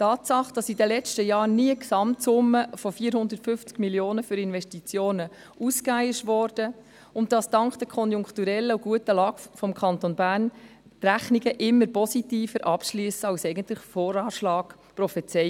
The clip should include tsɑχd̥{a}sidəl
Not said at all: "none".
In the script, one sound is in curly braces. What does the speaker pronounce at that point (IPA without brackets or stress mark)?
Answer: ɑ